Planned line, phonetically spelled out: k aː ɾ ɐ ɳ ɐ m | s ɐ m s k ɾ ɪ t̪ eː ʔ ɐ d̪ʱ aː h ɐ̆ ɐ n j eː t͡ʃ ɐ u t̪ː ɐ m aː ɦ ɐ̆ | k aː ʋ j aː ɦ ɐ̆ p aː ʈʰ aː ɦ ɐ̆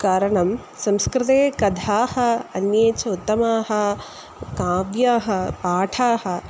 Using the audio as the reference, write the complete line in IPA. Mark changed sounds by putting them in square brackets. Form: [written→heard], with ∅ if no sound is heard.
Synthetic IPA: k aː ɾ ɐ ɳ ɐ m | s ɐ m s k ɾ ɪ t̪ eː [ʔ→k] ɐ d̪ʱ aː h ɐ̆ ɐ n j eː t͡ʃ ɐ u t̪ː ɐ m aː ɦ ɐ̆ | k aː ʋ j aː ɦ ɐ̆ p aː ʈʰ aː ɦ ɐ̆